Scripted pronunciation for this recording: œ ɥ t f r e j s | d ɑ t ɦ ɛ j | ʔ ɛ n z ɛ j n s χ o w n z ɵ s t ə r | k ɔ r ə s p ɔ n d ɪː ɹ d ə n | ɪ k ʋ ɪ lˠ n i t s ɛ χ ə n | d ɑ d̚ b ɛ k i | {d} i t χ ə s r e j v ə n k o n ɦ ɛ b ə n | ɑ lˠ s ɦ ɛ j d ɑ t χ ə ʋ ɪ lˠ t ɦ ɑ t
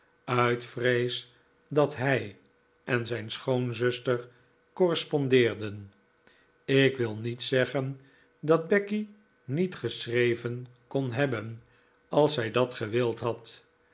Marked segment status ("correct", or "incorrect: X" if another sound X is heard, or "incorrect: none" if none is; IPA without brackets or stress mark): incorrect: n